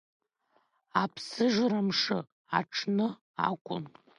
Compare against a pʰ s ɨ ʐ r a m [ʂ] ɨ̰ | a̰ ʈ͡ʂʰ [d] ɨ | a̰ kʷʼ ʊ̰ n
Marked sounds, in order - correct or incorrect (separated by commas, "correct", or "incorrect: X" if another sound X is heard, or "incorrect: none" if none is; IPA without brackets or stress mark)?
correct, incorrect: n